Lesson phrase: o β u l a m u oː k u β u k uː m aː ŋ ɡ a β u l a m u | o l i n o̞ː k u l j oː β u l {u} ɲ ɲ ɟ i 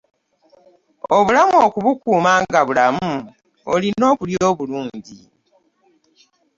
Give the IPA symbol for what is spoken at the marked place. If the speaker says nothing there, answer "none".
uː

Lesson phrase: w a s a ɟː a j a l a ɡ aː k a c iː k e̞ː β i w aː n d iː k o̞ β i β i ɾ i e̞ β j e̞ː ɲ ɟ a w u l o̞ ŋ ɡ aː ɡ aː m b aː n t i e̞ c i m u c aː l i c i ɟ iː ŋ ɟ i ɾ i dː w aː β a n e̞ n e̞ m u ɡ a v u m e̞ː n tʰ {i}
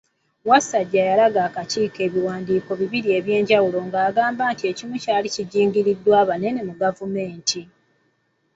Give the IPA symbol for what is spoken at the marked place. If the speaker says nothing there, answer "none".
i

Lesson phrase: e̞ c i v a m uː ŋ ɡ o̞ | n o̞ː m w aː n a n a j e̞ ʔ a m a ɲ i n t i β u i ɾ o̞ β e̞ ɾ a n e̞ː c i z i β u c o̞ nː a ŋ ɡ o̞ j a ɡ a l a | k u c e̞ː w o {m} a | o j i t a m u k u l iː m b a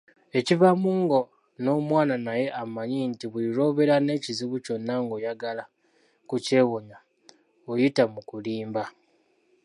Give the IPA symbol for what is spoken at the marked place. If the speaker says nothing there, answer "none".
ɲ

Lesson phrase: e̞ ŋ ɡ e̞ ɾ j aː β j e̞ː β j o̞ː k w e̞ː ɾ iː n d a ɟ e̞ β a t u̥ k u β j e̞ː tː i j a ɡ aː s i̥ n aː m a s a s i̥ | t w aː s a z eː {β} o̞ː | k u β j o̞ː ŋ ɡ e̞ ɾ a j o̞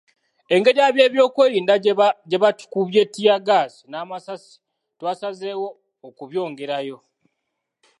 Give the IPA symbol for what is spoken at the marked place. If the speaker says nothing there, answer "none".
w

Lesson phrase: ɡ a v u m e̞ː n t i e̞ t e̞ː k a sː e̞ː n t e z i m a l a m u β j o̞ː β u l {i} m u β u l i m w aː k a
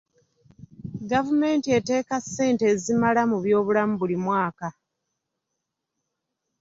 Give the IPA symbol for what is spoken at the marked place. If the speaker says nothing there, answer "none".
a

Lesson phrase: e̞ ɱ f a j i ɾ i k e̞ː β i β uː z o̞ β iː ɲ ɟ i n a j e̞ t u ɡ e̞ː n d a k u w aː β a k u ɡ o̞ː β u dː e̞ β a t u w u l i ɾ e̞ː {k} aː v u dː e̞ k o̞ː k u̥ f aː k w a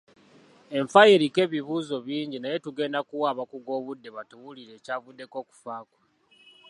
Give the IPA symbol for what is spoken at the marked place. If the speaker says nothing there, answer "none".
c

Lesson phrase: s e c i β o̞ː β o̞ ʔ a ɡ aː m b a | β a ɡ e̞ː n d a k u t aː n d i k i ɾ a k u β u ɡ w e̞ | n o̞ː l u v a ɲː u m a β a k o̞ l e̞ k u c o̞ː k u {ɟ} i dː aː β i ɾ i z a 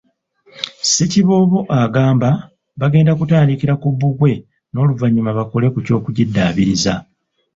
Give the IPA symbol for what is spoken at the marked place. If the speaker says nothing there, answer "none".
ɟ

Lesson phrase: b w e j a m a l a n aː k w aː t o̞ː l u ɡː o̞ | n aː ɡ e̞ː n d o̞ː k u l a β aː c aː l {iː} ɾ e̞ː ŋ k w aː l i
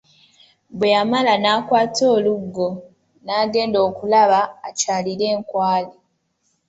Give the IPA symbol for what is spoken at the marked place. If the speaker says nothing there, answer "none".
i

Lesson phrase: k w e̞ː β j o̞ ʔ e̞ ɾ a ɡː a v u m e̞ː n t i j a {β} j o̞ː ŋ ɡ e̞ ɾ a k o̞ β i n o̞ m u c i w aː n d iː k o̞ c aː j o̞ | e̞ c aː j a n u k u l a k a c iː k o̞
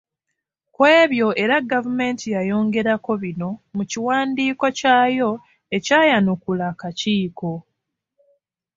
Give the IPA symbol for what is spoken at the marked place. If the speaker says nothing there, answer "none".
none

